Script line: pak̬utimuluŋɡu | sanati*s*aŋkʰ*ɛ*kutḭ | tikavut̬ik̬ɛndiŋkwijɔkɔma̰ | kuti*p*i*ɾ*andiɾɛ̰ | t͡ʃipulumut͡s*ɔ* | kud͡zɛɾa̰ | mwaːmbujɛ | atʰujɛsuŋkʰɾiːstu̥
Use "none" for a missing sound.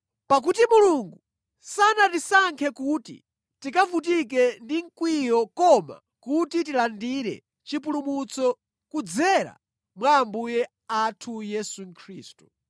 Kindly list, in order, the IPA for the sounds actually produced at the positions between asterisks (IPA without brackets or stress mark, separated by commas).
s, ɛ, t, l, ɔ